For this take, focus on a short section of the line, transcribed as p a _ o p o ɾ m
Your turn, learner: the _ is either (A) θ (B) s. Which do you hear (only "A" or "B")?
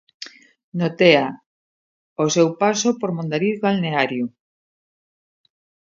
B